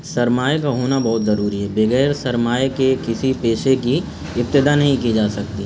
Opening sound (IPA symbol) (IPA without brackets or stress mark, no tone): s